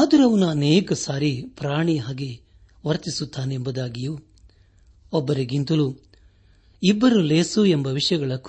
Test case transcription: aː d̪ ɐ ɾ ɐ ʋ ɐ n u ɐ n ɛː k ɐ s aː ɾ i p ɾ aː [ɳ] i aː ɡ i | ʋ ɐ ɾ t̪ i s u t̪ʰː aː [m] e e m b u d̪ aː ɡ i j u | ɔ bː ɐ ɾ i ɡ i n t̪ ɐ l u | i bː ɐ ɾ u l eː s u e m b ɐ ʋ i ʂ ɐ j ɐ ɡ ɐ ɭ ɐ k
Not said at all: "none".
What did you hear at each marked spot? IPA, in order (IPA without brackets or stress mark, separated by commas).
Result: ɳ, n